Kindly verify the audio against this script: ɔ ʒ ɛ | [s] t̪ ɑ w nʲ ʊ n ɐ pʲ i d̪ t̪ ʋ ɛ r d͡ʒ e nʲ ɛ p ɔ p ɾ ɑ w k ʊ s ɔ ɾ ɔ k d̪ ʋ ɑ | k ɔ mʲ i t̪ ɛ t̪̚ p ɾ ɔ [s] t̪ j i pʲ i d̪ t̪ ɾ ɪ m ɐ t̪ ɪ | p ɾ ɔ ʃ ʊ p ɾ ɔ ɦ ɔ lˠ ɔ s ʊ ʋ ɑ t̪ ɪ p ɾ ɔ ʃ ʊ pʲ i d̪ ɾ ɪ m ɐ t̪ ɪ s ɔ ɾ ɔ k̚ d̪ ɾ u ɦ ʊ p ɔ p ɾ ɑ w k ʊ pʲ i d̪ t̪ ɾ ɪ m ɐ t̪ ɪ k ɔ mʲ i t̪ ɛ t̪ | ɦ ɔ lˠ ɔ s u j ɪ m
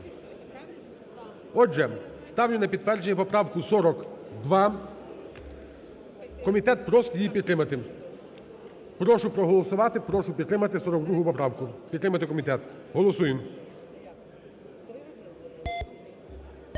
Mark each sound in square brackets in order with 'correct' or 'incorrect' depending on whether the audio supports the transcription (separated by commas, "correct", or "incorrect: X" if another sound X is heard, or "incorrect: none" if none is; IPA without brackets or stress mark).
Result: correct, correct